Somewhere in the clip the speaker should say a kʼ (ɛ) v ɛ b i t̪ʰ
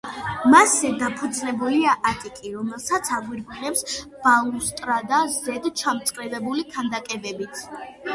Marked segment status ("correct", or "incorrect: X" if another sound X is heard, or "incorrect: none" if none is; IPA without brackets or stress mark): correct